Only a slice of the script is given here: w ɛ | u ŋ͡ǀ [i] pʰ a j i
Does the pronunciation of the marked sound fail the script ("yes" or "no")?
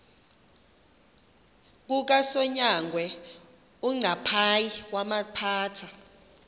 yes